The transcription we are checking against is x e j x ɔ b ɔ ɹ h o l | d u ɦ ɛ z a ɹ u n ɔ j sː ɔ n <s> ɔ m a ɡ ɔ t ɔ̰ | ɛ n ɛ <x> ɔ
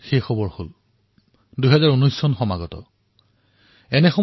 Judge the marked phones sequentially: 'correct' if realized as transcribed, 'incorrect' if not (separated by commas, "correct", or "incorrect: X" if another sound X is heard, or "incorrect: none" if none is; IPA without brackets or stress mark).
incorrect: x, correct